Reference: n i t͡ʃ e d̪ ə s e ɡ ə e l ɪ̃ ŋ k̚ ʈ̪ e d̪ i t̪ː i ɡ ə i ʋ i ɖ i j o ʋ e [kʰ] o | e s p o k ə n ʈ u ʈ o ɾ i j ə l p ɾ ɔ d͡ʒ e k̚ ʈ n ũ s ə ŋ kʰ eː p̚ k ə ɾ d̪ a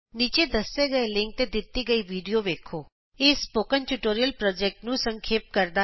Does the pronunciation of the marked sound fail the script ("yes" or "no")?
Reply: no